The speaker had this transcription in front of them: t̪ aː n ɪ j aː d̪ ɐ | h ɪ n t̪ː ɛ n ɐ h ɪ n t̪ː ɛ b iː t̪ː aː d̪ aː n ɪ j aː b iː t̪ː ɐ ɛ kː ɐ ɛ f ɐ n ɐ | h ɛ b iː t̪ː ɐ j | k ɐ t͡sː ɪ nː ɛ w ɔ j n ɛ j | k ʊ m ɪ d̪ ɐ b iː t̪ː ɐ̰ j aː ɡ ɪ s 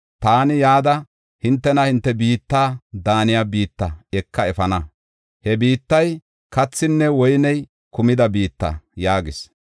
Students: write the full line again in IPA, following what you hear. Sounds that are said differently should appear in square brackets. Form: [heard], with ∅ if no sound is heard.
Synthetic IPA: t̪ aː n ɪ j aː d̪ ɐ | h ɪ n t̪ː ɛ n ɐ h ɪ n t̪ː ɛ b iː t̪ː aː d̪ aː n ɪ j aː b iː t̪ː ɐ ɛ kː ɐ ɛ f ɐ n ɐ | h ɛ b iː t̪ː ɐ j | k ɐ t͡sː ɪ nː ɛ w ɔ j n ɛ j | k ʊ m ɪ d̪ ɐ b iː t̪ː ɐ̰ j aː ɡ ɪ s